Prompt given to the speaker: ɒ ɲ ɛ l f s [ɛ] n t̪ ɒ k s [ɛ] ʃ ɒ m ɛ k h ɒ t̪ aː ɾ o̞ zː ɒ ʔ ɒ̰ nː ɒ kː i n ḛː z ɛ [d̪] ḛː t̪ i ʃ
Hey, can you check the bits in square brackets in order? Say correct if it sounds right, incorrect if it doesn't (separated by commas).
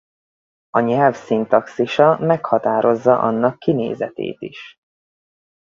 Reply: incorrect, incorrect, incorrect